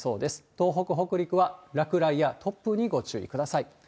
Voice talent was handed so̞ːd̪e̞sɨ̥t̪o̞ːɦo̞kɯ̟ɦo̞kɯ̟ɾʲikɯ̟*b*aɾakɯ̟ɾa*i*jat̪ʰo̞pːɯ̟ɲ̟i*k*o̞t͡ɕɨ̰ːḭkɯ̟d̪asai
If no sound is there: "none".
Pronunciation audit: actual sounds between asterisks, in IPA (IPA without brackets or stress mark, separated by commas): β, i, ɡ